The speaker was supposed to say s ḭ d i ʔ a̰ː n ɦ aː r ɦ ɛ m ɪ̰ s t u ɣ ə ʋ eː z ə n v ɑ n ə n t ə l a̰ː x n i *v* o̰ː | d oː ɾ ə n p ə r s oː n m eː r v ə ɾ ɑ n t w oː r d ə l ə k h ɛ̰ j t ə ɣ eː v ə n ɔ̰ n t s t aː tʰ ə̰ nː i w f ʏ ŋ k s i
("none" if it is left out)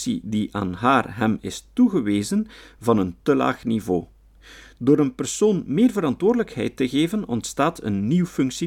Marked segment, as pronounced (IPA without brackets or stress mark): v